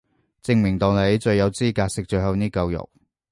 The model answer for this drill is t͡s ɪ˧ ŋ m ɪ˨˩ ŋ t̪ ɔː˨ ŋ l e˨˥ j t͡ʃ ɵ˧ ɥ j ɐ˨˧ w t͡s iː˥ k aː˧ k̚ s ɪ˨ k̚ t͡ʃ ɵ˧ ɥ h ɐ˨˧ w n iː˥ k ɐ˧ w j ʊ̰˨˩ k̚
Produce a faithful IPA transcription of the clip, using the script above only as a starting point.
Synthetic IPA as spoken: t͡s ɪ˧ ŋ m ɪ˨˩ ŋ t̪ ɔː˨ ŋ l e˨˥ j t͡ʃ ɵ˧ ɥ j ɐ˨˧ w t͡s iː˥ k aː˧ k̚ s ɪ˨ k̚ t͡ʃ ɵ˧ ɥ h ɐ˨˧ w n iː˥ k ɐ˧ w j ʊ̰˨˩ k̚

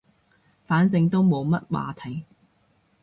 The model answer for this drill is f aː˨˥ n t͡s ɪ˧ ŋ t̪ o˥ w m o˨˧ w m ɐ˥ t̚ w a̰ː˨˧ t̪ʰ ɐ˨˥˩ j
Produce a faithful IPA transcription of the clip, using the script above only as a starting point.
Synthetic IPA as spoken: f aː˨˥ n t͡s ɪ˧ ŋ t̪ o˥ w m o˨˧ w m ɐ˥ t̚ w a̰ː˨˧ t̪ʰ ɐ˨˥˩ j

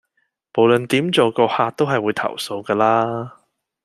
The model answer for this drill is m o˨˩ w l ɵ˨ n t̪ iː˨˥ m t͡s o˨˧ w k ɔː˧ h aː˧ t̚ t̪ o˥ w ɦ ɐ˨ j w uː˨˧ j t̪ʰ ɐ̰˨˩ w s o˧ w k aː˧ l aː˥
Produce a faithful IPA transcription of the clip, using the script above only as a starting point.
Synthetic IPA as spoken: m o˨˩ w l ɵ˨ n t̪ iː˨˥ m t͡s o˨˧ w k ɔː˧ h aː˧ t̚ t̪ o˥ w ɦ ɐ˨ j w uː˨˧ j t̪ʰ ɐ̰˨˩ w s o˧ w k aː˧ l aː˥

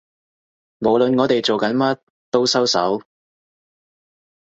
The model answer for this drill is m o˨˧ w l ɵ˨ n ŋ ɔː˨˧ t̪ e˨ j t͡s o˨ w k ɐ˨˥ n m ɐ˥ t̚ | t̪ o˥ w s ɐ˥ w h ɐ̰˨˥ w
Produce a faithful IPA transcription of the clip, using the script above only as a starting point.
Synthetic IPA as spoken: m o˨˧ w l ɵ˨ n ŋ ɔː˨˧ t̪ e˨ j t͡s o˨ w k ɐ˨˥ n m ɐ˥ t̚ | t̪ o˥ w s ɐ˥ w s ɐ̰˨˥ w

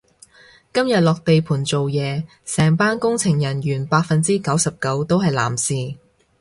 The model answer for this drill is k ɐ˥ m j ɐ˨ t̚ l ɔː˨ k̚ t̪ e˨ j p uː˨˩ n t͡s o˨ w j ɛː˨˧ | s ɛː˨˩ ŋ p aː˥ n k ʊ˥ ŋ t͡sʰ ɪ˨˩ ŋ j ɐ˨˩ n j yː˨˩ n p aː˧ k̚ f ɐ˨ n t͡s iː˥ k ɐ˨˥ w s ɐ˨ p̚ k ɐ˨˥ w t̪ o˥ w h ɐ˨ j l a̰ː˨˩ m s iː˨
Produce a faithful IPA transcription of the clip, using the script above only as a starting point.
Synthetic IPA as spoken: k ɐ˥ m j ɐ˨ t̚ l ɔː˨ k̚ t̪ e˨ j pʰ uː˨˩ n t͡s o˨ w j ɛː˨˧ | s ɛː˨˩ ŋ p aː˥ n k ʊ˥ ŋ t͡sʰ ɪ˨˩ ŋ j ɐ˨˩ n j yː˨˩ n p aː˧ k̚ f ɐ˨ n t͡s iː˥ k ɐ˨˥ w s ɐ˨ p̚ k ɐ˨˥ w t̪ o˥ w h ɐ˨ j l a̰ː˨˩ m s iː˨

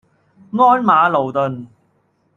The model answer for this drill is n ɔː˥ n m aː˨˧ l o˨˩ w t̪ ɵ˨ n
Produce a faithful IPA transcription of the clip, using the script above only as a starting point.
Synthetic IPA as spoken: ŋ ɔː˥ n m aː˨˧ l o˨˩ w t̪ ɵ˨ n

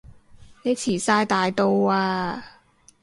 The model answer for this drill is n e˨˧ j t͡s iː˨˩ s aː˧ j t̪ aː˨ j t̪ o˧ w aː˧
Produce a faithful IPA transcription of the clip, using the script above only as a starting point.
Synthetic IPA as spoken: n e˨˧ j t͡sʰ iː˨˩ s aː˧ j t̪ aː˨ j t̪ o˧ w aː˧

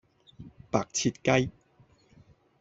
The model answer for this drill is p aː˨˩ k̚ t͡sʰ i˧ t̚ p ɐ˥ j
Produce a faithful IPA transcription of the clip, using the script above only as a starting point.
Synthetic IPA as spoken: p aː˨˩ k̚ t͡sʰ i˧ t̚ k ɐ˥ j

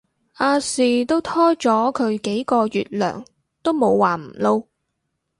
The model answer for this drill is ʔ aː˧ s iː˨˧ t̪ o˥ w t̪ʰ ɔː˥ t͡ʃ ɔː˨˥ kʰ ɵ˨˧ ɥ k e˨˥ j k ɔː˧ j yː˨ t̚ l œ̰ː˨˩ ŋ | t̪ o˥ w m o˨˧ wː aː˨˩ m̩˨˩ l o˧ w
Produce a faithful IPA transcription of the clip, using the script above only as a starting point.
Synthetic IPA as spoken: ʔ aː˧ s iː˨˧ t̪ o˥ w t̪ʰ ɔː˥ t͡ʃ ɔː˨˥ kʰ ɵ˨˧ ɥ k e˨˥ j k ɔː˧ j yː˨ t̚ l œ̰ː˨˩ ŋ | t̪ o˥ w m o˨˧ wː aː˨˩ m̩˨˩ l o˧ w

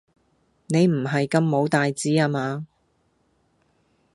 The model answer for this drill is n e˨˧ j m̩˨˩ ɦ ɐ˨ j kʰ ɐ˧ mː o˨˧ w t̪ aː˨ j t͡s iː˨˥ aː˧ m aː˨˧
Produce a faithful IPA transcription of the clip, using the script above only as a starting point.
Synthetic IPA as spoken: n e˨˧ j m̩˨˩ ɦ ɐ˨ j k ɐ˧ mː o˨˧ w t̪ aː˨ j t͡s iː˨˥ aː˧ m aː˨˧

